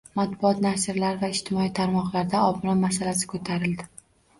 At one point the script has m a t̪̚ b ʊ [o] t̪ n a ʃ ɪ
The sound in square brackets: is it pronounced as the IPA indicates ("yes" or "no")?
no